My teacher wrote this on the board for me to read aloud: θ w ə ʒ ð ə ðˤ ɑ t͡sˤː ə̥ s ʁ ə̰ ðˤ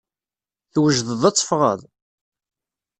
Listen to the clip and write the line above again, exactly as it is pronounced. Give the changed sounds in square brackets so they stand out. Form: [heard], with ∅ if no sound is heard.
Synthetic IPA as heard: θ w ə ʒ ð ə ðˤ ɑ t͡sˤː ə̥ [f] ʁ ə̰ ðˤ